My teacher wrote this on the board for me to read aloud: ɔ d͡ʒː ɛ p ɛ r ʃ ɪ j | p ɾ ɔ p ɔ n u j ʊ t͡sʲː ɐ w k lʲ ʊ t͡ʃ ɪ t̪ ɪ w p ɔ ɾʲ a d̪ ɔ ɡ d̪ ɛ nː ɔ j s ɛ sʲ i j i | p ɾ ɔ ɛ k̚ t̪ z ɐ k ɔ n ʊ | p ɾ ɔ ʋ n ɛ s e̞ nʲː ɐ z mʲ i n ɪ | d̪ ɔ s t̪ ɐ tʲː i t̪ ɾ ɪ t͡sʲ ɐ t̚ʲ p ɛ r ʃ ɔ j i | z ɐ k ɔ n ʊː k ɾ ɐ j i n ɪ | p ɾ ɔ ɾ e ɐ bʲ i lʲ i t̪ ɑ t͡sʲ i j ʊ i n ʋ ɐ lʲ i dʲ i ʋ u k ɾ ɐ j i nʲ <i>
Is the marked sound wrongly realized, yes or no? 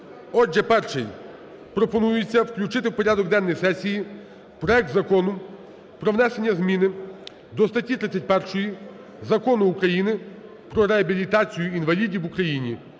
no